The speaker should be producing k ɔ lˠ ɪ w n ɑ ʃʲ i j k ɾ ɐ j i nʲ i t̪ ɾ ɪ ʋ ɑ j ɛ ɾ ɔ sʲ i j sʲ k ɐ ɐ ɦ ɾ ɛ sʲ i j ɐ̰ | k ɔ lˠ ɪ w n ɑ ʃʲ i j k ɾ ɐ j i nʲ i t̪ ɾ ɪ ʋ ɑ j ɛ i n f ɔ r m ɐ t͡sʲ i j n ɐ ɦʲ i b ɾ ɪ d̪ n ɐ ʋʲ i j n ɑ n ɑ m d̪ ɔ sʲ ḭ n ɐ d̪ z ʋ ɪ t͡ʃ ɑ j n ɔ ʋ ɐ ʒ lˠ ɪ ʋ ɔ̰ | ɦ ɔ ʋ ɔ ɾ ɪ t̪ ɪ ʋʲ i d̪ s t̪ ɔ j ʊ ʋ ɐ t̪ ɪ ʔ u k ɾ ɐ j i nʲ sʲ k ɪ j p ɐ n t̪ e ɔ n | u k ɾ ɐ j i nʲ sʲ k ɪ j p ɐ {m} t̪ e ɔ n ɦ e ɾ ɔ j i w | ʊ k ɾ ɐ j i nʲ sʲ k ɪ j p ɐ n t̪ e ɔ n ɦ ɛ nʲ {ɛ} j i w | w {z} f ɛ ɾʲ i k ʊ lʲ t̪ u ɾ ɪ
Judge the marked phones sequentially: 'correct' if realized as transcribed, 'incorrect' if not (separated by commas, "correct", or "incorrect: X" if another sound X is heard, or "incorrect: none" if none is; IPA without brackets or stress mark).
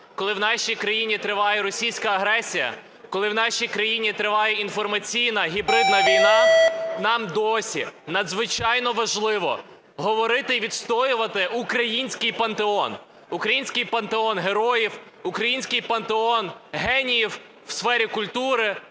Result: incorrect: n, incorrect: i, incorrect: s